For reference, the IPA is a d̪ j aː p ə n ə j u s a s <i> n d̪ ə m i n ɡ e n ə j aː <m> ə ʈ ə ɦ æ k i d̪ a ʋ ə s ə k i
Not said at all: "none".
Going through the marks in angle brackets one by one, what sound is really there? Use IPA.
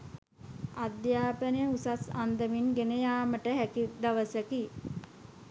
a, m

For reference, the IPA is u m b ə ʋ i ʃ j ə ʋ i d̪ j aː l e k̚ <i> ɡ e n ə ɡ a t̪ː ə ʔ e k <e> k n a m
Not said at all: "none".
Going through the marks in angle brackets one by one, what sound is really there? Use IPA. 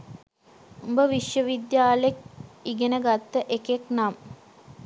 i, e

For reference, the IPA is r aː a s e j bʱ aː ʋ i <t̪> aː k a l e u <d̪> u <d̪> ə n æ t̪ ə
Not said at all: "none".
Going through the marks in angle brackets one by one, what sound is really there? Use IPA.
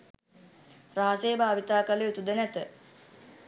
t̪, t̪, d̪

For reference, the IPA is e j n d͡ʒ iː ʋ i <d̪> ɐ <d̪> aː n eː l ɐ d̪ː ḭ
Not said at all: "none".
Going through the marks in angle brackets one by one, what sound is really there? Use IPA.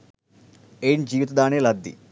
t̪, d̪

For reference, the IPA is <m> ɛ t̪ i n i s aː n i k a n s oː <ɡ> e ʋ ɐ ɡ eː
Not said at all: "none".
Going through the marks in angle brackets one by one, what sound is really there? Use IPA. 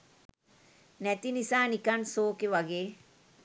n, k

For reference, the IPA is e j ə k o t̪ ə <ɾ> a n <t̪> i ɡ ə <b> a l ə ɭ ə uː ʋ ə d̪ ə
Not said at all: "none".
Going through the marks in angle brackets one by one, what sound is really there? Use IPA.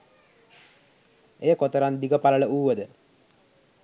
ɾ, d̪, p

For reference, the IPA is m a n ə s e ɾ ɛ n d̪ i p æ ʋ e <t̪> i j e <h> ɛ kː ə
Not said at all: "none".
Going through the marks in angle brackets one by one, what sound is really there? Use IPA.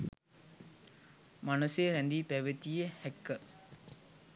t̪, h

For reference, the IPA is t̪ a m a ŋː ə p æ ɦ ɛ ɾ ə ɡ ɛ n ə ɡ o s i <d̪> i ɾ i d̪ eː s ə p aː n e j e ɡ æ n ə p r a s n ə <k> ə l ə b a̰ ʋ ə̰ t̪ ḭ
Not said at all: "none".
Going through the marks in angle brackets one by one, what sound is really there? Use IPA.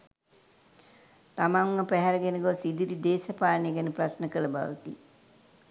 d̪, k

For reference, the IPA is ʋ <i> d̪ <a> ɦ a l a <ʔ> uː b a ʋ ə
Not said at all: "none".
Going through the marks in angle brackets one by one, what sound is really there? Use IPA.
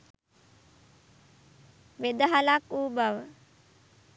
e, ə, k

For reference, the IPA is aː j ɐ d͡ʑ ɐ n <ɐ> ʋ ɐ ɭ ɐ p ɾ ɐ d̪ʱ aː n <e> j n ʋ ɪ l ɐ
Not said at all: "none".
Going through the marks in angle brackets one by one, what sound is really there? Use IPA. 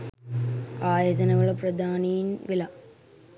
ɐ, i

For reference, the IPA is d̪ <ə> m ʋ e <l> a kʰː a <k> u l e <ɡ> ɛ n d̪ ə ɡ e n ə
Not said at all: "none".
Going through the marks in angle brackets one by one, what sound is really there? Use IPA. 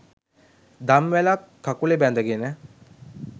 a, l, k, b

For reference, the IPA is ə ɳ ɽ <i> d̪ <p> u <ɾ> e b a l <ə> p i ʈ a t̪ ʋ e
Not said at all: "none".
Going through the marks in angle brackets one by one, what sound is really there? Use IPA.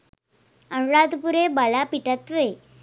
a, p, ɾ, a

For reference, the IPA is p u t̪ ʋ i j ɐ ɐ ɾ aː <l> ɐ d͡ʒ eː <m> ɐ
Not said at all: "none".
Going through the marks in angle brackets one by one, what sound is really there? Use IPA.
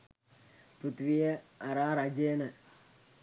ɾ, n

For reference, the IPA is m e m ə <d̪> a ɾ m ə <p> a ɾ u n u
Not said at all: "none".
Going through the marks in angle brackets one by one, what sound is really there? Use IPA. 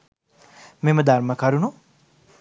d̪, k

